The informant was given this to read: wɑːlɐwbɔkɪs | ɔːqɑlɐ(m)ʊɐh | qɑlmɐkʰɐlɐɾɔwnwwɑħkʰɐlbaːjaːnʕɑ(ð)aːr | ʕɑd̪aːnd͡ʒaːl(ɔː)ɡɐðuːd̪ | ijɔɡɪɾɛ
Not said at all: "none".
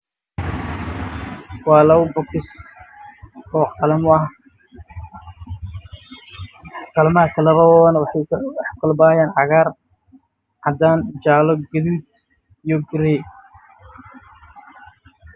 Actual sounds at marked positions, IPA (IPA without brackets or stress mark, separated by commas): m, ɣ, ɔ